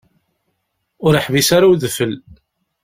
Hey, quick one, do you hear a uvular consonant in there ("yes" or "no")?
no